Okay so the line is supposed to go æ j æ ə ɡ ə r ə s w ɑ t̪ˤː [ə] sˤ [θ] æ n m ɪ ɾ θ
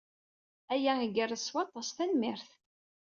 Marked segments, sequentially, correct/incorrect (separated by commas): incorrect, correct